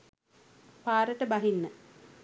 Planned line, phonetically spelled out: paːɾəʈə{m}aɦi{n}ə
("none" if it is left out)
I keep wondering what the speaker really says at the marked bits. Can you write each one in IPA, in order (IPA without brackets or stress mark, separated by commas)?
b, nː